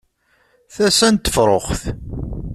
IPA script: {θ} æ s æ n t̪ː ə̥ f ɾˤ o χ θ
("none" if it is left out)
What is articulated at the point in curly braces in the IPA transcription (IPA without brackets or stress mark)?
θ